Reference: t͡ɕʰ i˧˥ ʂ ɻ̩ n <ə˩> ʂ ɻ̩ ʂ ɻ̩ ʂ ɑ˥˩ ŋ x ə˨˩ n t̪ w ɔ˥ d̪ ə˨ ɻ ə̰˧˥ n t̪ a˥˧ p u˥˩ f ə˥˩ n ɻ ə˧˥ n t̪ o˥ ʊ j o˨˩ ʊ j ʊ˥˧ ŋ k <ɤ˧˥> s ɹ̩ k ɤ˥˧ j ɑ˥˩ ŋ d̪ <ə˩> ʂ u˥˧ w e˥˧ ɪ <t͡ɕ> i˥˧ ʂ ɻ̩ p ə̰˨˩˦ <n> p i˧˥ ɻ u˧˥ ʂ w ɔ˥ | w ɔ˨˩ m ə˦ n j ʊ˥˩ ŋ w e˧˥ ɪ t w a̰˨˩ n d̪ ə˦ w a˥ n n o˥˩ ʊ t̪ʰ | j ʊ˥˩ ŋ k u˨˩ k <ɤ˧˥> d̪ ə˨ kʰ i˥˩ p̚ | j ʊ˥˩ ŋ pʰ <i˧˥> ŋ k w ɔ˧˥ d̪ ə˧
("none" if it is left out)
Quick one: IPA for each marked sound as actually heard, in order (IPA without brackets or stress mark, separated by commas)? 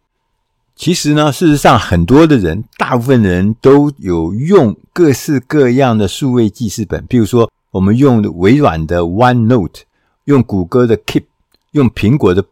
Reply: ə˧, ɤ˥˧, ə˩, t͡ɕ, n, ɤ˥, i˧˥